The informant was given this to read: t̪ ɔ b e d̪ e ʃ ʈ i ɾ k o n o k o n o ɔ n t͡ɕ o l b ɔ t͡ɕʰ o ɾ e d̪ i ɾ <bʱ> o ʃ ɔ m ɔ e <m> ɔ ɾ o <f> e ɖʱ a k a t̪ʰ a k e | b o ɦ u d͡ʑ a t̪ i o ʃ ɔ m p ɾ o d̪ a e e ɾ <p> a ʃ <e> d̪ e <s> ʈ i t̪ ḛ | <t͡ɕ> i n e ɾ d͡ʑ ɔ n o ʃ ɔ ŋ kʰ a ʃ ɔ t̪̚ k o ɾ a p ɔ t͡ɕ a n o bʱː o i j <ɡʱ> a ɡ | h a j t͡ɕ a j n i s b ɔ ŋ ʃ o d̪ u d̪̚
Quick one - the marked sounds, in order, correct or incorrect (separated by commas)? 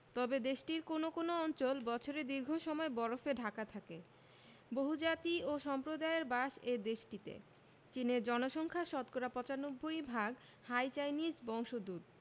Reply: incorrect, incorrect, correct, incorrect, correct, incorrect, correct, incorrect